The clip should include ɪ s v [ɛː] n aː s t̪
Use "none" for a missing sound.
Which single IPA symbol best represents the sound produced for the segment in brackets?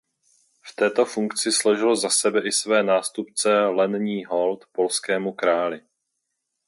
ɛː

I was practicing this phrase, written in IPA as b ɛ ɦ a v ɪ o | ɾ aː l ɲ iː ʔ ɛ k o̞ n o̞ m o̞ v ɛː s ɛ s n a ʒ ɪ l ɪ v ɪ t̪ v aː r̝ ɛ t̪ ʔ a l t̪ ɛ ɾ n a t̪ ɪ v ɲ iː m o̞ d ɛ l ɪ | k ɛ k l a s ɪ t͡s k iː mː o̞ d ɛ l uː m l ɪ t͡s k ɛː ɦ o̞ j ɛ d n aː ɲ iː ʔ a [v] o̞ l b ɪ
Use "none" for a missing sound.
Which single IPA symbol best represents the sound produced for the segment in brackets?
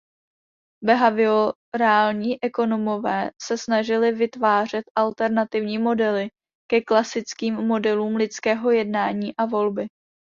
v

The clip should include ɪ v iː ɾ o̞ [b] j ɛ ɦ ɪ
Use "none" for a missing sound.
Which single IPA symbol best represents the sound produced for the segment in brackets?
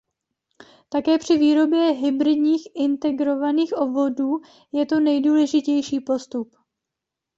b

